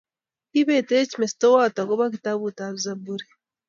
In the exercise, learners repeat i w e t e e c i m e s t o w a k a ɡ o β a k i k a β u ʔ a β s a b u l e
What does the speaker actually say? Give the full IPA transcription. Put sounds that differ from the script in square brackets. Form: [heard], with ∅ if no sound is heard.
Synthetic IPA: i [β] e t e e c i m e s t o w a [t] a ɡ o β a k i [t] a β u [t] a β [z] a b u [ɾ] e